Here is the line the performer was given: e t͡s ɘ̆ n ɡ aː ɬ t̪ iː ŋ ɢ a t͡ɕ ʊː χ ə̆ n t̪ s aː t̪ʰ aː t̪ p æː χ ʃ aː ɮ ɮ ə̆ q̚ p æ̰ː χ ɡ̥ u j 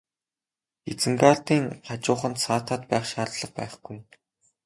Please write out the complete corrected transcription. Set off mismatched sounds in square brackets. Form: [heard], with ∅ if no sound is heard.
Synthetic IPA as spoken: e t͡s ɘ̆ [ŋ] ɡ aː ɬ t̪ iː ŋ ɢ a t͡ɕ ʊː χ ə̆ n t̪ s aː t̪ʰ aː t̪ p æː χ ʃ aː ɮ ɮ ə̆ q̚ p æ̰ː χ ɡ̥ u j